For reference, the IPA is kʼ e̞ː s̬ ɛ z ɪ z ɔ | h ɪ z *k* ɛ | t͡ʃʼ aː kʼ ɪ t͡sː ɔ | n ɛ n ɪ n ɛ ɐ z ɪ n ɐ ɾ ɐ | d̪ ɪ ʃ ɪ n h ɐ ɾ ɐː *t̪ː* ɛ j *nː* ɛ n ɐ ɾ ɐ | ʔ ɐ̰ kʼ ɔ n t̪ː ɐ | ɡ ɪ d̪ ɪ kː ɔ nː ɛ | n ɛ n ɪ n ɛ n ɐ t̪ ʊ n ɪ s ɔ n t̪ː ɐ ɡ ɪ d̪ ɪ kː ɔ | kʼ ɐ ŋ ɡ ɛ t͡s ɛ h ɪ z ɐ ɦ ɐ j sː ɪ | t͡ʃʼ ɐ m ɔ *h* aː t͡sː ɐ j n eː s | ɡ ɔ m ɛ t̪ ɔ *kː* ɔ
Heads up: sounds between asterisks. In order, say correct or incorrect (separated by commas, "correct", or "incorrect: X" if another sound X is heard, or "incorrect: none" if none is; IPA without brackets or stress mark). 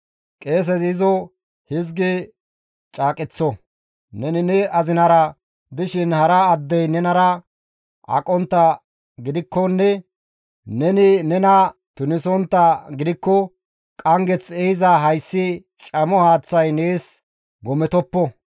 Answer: incorrect: ɡ, incorrect: d̪ː, incorrect: n, correct, incorrect: pː